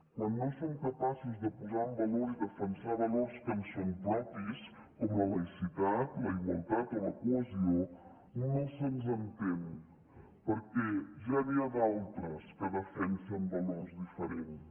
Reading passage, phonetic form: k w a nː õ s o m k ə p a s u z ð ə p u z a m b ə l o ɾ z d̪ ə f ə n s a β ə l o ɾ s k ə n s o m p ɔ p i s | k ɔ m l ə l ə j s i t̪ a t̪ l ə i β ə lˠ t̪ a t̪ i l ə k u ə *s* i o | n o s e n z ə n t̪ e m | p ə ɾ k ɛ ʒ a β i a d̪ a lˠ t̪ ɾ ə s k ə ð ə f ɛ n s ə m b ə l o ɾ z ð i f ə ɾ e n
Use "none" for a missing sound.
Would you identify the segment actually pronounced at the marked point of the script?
z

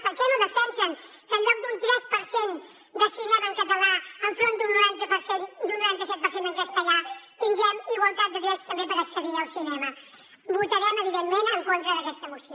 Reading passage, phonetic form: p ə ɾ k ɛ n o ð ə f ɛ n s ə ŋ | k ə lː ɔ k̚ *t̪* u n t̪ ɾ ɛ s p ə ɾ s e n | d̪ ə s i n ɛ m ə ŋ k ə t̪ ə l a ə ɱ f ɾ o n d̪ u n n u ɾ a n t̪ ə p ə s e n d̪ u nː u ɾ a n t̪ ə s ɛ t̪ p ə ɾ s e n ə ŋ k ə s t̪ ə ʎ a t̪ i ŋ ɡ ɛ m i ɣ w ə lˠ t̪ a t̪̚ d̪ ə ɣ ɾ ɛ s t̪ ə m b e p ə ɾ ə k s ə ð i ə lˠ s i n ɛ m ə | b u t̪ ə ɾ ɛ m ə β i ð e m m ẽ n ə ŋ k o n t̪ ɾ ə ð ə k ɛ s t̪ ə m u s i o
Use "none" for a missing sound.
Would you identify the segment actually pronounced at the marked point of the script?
d̪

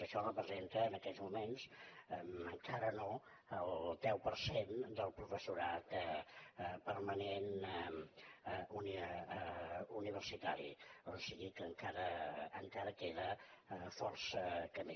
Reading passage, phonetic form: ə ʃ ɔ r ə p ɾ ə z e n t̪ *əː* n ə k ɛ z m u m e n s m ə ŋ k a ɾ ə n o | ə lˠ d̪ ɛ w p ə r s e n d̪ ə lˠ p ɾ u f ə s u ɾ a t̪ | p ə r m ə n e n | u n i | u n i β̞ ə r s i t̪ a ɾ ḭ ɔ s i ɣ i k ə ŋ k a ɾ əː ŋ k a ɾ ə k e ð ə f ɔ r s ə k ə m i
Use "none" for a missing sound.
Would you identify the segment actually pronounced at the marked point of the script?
əː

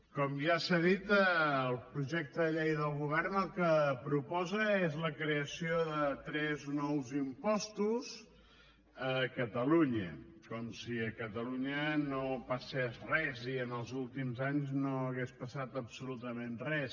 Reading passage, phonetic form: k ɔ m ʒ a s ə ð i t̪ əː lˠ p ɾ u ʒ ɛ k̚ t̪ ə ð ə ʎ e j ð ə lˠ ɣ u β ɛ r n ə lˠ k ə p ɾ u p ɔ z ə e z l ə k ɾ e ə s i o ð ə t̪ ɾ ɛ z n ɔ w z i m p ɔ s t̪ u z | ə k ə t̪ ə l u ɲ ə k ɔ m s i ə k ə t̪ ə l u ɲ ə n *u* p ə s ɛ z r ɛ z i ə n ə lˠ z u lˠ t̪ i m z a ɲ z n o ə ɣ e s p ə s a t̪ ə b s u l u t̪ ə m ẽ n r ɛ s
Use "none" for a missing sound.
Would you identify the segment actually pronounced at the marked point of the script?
o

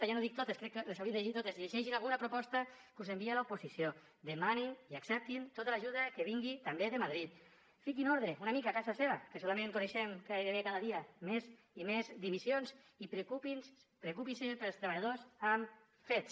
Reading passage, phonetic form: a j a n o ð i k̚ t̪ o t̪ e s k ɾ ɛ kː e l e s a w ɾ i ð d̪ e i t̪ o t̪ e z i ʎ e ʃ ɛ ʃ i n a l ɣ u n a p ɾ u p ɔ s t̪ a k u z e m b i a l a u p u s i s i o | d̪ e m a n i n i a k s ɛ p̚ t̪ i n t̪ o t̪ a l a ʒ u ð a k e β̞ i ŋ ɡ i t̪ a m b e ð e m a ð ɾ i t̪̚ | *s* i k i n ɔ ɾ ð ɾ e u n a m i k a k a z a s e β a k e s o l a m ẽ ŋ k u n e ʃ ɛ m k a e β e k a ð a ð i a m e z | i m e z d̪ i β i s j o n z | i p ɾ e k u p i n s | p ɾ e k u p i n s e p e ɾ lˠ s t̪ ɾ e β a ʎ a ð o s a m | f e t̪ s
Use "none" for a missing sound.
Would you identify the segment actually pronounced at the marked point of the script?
f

